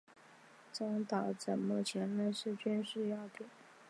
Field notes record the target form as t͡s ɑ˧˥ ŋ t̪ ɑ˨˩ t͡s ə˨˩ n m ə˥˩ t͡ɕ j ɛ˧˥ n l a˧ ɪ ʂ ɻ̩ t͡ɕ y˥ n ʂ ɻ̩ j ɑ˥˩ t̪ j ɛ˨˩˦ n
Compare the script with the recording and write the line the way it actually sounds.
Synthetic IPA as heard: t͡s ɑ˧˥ ŋ t̪ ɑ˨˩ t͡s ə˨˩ n m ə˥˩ t͡ɕʰ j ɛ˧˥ n l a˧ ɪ ʂ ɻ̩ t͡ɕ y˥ n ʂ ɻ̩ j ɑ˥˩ t̪ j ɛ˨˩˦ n